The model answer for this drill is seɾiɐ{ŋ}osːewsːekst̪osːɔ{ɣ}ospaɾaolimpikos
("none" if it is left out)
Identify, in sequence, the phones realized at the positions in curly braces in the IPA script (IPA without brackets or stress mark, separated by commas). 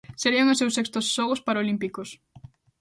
ŋ, ɣ